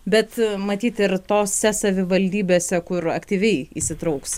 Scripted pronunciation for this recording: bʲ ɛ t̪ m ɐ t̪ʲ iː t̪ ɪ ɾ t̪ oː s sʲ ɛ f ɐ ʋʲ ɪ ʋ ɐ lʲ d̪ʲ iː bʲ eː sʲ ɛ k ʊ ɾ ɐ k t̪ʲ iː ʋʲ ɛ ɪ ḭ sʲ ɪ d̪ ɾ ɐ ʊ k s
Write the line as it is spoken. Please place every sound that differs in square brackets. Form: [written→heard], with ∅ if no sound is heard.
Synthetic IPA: bʲ ɛ t̪ m ɐ t̪ʲ iː t̪ ɪ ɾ t̪ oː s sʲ ɛ [f→s] ɐ ʋʲ ɪ ʋ ɐ lʲ d̪ʲ iː bʲ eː sʲ ɛ k ʊ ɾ ɐ k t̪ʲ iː ʋʲ ɛ ɪ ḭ sʲ ɪ [d̪→t̪] ɾ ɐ ʊ k s